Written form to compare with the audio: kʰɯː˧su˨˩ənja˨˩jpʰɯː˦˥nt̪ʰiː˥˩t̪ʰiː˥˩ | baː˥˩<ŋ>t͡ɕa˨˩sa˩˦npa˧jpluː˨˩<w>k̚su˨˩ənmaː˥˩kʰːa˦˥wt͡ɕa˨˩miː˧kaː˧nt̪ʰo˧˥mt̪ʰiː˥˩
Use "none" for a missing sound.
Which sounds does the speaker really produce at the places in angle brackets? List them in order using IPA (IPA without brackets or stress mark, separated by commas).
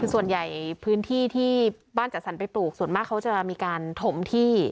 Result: n, none